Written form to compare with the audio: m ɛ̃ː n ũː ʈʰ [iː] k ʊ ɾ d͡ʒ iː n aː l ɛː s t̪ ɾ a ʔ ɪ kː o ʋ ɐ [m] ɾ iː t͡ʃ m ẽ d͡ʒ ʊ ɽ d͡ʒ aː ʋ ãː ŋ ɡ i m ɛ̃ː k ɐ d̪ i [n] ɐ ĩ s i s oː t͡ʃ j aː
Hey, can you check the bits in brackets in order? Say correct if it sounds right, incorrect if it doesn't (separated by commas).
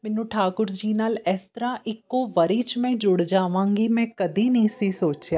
incorrect, incorrect, correct